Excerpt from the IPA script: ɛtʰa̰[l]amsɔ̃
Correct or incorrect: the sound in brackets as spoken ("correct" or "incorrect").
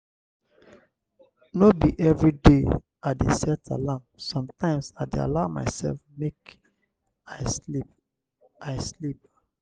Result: correct